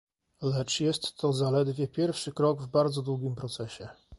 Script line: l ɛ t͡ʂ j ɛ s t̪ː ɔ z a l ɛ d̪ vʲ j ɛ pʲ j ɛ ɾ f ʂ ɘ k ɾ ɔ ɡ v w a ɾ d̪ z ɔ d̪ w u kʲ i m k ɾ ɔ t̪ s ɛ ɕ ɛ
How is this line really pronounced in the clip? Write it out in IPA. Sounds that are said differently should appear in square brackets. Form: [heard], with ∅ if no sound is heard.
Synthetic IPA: l ɛ t͡ʂ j ɛ s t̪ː ɔ z a l ɛ d̪ vʲ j ɛ pʲ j ɛ ɾ f ʂ ɘ k ɾ ɔ ɡ v [b] a ɾ d̪ z ɔ d̪ w u [ɡʲ] i m [p] ɾ ɔ t̪ s ɛ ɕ ɛ